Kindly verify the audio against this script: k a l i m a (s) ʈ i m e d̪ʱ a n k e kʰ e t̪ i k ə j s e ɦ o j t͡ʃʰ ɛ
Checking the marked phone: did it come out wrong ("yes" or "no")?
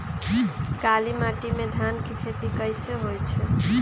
yes